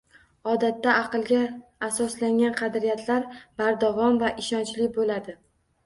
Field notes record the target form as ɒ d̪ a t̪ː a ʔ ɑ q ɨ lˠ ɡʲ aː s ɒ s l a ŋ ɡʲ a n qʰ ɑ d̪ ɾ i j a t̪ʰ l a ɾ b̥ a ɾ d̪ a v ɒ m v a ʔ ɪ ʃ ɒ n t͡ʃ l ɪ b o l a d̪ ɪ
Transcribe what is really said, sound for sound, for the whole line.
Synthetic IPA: ɒ d̪ a t̪ː a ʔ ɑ q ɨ lˠ ɡʲ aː s ɒ s l a ŋ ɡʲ a n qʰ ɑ d̪ ɾ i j a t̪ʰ l a ɾ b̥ a ɾ d̪ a v ɒ m v a ʔ ɪ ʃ ɒ n t͡ʃ l ɪ b o l a d̪ ɪ

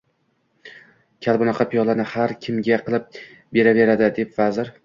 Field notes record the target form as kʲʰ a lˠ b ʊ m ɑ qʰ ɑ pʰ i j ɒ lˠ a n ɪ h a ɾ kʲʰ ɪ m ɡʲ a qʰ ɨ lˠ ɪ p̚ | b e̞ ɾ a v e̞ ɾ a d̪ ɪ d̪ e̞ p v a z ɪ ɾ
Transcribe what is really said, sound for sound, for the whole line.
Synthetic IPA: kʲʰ a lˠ b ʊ n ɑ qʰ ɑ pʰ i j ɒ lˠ a n ɪ h a ɾ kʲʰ ɪ m ɡʲ a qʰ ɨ lˠ ɪ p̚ | b e̞ ɾ a v e̞ ɾ a d̪ ɪ d̪ e̞ p v a z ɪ ɾ

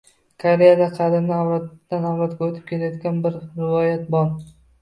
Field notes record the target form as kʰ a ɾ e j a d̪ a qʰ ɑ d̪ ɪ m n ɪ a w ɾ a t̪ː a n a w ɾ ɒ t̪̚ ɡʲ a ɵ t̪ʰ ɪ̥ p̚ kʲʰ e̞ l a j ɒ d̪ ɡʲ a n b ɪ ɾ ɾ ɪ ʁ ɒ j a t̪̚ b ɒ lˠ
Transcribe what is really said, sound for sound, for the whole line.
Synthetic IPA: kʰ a ɾ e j a d̪ a qʰ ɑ d̪ ɪ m n ɪ a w ɾ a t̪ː a n a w ɾ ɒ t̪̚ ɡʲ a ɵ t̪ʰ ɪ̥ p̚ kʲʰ e̞ l a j ɒ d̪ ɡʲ a n b ɪ ɾ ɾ ɪ v ɒ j a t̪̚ b ɒ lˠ

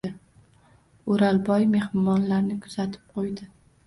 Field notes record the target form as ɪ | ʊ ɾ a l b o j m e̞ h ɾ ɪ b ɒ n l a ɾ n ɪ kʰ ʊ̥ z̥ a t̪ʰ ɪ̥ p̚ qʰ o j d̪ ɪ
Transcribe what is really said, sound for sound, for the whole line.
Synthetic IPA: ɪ | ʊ ɾ a l b ɒ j m e̞ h ɾ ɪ m ɒ n l a ɾ n ɪ kʰ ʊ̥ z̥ a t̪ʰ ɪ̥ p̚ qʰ o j d̪ ɪ

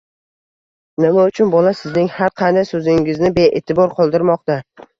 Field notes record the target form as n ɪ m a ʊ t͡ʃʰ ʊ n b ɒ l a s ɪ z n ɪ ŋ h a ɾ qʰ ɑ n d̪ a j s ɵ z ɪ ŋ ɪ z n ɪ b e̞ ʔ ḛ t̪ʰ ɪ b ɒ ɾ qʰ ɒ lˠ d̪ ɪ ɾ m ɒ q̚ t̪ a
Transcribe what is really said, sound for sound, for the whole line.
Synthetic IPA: n ɪ m a ʊ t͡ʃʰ ʊ n b ɒ l a s ɪ z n ɪ ŋ h a ɾ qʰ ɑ n d̪ a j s ɵ z ɪ ŋ ɪ z n ɪ b e̞ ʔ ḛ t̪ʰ ɪ b ɒ ɾ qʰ ɒ lˠ d̪ ɪ ɾ m ɒ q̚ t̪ a

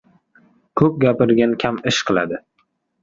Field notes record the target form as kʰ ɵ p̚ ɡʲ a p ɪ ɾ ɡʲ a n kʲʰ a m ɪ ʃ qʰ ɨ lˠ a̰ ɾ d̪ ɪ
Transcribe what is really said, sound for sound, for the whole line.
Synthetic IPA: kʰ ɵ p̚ ɡʲ a p ɪ ɾ ɡʲ a n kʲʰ a m ɪ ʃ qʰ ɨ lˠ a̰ d̪ ɪ

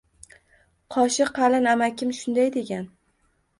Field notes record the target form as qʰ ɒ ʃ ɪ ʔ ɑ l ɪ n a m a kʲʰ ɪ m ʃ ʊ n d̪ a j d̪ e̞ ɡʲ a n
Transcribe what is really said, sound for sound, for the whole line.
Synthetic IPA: qʰ ɒ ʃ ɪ q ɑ l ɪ n a m a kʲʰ ɪ m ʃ ʊ n d̪ a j d̪ e̞ ɡʲ a n

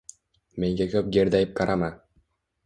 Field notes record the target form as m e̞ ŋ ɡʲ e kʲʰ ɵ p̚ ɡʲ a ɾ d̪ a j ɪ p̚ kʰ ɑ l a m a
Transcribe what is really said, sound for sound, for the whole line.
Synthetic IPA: m e̞ ŋ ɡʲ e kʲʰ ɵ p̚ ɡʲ e ɾ d̪ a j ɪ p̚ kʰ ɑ ɾ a m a

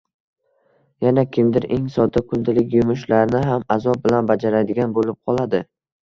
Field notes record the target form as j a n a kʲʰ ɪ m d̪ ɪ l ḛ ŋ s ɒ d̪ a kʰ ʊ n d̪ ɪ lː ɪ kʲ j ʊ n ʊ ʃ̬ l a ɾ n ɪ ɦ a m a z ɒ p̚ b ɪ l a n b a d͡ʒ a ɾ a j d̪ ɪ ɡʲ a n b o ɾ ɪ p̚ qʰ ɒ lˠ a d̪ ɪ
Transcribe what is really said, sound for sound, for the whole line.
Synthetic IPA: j a n a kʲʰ ɪ m d̪ ɪ ɾ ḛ ŋ s ɒ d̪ a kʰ ʊ n d̪ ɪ l ɪ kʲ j ʊ m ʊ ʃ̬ l a ɾ n ɪ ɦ a m a z ɒ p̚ b ɪ l a n b a d͡ʒ a ɾ a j d̪ ɪ ɡʲ a n b o l ɪ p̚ qʰ ɒ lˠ a d̪ ɪ

